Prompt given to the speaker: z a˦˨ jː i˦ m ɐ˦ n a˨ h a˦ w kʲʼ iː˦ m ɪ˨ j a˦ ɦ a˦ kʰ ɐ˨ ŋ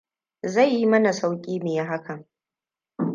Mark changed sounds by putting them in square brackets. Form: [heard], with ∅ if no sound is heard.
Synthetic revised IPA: z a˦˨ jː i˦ m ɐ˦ n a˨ [s] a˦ w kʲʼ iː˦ m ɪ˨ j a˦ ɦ a˦ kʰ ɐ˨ ŋ